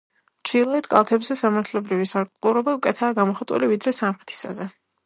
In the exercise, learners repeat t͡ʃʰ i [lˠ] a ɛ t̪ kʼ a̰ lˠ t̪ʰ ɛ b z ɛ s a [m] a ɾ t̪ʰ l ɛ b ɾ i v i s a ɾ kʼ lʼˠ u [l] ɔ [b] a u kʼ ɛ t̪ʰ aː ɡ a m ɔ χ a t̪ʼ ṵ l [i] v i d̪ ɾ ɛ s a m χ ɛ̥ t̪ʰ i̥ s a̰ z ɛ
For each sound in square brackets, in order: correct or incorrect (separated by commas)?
correct, correct, incorrect, correct, correct